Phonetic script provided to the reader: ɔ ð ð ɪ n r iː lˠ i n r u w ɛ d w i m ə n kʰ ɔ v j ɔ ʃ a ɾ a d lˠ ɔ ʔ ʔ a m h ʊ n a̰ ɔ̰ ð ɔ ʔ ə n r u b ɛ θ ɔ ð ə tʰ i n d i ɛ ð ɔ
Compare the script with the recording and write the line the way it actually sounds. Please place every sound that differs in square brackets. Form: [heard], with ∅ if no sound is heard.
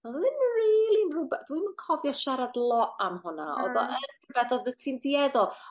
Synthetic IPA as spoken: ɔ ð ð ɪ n r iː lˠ i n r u [b] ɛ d w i m ə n kʰ ɔ v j ɔ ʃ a ɾ a d lˠ ɔ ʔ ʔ a m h ʊ n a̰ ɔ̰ ð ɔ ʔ ə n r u b ɛ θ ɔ ð ə tʰ i n d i ɛ ð ɔ